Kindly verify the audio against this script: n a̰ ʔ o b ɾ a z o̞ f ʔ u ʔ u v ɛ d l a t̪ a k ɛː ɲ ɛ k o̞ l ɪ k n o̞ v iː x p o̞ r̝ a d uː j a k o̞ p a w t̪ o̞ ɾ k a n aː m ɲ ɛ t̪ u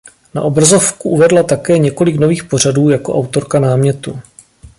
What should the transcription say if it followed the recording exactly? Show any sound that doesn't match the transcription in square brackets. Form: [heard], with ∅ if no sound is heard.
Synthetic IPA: n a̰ ʔ o b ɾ a z o̞ f [k] u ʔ u v ɛ d l a t̪ a k ɛː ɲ ɛ k o̞ l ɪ k n o̞ v iː x p o̞ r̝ a d uː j a k o̞ [ʔ] a w t̪ o̞ ɾ k a n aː m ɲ ɛ t̪ u

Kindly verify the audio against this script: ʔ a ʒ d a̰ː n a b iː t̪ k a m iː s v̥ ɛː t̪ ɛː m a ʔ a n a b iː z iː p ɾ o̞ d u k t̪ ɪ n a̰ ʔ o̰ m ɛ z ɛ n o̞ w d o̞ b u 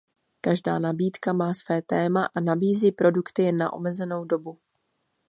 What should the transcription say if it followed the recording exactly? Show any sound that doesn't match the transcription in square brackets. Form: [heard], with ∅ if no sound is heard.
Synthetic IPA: [k] a ʒ d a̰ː n a b iː t̪ k a m [aː] s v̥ ɛː t̪ ɛː m a ʔ a n a b iː z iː p ɾ o̞ d u k t̪ ɪ n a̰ ʔ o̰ m ɛ z ɛ n o̞ w d o̞ b u

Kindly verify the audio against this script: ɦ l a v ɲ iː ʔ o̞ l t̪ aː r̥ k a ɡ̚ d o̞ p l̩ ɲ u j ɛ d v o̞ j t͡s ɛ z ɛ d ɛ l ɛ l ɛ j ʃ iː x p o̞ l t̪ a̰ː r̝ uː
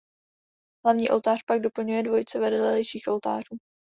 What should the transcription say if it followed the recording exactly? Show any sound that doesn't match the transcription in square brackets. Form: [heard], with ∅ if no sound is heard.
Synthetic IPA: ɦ l a v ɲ iː ʔ o̞ l t̪ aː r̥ [p] a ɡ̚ d o̞ p l̩ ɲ u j ɛ d v o̞ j t͡s ɛ [v] ɛ d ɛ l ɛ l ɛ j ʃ iː x [ʔ] o̞ l t̪ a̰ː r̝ uː

